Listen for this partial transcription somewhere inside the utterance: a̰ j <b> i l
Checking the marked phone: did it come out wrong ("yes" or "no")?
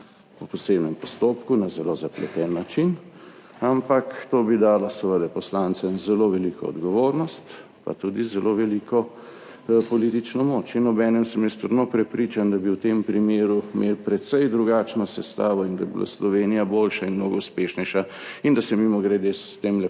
no